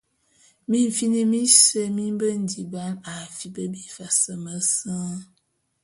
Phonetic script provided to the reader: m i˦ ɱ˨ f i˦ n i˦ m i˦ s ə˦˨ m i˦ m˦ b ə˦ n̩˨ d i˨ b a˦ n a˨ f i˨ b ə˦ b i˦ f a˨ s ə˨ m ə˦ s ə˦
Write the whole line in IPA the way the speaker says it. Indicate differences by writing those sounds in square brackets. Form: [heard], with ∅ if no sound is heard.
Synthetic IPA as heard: m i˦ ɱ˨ f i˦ n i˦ m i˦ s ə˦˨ m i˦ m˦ b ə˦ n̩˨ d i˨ b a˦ n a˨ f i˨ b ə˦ b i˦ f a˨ s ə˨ m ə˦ s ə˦

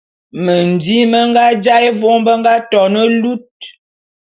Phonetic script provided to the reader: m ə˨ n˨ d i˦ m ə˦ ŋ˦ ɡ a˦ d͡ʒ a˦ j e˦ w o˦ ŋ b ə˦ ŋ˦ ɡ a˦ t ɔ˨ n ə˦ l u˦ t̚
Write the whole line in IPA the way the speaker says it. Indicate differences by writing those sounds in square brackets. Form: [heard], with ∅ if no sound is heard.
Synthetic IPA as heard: m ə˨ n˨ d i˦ m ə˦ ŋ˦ ɡ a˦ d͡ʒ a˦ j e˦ [v] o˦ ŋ b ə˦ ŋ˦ ɡ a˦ t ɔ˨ n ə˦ l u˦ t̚

